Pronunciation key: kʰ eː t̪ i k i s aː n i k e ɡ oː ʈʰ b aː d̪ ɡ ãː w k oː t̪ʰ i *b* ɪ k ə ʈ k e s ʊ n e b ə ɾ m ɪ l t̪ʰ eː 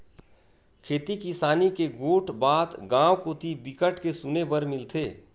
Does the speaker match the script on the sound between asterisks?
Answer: yes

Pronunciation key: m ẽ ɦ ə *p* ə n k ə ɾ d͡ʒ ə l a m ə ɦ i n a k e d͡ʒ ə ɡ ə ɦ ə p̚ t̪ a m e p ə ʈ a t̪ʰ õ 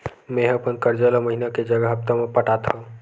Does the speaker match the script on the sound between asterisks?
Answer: yes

